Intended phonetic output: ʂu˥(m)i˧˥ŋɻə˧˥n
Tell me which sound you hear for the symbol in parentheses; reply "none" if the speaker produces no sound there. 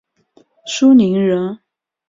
n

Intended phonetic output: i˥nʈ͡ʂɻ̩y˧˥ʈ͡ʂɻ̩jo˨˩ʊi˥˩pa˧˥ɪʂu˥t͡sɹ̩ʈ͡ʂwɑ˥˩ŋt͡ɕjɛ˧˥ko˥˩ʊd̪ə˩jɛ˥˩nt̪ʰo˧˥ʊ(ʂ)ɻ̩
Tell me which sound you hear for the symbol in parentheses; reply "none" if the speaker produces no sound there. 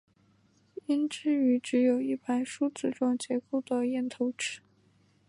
ʈ͡ʂ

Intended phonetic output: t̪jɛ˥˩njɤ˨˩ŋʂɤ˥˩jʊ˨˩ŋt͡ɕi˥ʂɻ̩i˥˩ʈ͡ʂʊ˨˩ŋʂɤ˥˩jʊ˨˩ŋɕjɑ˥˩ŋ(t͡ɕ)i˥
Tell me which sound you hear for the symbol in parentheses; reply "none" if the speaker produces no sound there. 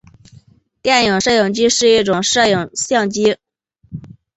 t͡ɕ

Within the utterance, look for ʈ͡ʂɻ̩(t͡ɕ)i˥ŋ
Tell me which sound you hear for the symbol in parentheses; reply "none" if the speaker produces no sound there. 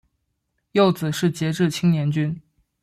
t͡ɕʰ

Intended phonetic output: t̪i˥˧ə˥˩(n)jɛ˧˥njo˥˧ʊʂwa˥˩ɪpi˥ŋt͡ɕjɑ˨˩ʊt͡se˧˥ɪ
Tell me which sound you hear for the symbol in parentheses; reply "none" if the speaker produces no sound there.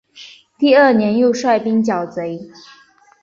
n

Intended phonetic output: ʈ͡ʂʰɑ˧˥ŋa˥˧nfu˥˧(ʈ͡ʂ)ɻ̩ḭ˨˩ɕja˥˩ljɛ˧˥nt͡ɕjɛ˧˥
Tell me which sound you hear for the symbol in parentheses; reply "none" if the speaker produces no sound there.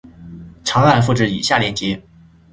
ʈ͡ʂ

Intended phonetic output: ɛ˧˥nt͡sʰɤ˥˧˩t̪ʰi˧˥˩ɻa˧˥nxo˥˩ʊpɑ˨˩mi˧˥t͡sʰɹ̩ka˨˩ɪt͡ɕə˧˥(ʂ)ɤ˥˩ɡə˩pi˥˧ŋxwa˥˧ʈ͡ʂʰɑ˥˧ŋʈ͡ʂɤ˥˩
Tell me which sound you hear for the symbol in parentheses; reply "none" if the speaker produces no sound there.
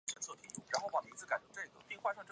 ʈ͡ʂ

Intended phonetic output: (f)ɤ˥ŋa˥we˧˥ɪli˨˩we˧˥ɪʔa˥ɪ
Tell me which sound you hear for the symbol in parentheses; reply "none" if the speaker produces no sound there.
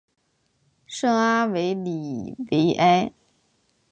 ʂ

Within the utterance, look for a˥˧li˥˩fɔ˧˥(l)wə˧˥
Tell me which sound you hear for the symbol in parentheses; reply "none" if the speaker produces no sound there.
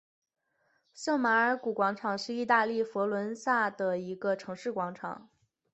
l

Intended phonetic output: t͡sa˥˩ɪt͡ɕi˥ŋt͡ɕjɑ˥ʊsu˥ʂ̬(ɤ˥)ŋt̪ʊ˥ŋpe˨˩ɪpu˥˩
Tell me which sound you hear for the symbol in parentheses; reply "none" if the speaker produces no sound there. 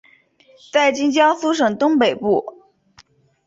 ɤ˨˩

